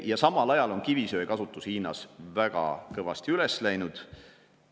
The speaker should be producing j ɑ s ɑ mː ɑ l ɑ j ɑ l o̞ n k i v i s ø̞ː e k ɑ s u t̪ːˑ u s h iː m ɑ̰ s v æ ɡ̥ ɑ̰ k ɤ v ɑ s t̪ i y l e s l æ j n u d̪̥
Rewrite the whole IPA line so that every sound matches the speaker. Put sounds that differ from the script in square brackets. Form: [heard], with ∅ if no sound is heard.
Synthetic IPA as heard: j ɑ s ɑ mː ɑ l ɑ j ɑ l o̞ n k i v i s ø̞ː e k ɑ s u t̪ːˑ u s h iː [n] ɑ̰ s v æ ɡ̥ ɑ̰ k ɤ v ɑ s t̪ i y l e s l æ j n u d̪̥